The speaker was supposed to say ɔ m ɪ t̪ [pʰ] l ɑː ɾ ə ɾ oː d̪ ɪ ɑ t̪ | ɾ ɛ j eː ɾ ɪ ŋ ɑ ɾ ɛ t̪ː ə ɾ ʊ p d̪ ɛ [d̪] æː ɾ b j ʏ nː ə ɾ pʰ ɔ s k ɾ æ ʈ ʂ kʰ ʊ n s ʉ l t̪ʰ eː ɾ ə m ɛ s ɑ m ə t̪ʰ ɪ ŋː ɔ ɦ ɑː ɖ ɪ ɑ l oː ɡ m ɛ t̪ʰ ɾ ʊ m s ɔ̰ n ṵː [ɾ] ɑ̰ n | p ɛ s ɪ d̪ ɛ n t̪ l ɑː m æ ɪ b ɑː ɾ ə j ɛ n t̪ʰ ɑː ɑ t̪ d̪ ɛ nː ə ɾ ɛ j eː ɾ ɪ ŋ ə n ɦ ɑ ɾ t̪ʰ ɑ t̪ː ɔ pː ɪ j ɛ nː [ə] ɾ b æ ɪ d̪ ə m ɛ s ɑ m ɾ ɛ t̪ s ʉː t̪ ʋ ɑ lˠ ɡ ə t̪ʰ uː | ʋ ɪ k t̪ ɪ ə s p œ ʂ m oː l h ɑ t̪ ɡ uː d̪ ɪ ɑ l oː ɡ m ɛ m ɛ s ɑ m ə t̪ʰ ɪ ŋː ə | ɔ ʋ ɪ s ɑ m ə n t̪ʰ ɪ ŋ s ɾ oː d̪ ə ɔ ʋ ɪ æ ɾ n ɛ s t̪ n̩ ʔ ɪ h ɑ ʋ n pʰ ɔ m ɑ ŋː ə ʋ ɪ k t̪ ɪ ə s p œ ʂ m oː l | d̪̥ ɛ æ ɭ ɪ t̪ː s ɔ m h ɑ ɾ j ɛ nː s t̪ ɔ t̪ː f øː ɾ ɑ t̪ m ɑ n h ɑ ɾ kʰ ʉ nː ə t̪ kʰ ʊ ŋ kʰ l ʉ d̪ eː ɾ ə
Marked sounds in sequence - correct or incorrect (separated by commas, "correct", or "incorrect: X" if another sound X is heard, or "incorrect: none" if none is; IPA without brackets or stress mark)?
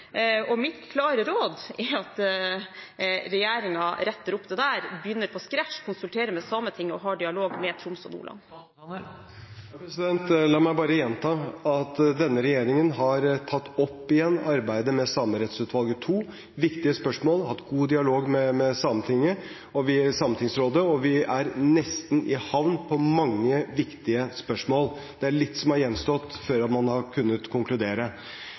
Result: incorrect: kʰ, correct, incorrect: l, incorrect: ɑ